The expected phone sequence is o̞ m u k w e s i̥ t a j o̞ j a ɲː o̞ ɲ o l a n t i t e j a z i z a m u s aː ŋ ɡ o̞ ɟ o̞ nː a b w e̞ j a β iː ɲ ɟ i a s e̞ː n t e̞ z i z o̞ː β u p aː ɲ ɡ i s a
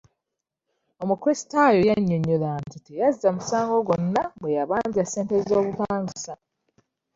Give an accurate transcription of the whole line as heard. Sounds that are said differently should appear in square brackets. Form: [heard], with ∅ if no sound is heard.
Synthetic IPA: o̞ m u k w e s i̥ t a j o̞ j a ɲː o̞ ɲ o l a n t i t e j a z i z a m u s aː ŋ ɡ o̞ [ɡ] o̞ nː a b w e̞ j a β [aː] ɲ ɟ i a s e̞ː n t e̞ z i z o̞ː β u p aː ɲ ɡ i s a